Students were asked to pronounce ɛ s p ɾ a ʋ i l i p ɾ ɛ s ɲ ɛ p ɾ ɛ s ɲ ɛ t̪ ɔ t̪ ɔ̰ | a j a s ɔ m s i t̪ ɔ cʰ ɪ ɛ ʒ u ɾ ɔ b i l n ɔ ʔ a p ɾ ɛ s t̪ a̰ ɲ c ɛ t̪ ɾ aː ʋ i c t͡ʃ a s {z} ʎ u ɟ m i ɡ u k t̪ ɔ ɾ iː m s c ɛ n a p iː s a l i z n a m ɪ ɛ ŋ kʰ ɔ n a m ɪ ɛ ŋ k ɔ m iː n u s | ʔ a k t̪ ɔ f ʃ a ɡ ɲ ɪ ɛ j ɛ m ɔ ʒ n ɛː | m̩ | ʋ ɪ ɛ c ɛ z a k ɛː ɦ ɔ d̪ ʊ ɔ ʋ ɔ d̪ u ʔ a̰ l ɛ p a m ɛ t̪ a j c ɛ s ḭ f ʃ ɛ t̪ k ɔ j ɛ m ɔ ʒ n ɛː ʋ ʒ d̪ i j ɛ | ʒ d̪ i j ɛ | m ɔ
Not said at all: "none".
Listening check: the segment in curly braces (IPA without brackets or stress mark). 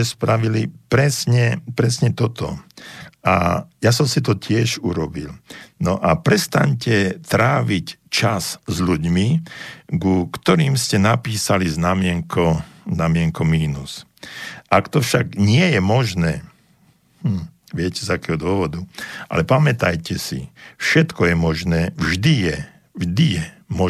z